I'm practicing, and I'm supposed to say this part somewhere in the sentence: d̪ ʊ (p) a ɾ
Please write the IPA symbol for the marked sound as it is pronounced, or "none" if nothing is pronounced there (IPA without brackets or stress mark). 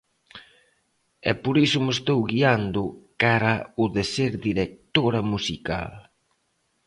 k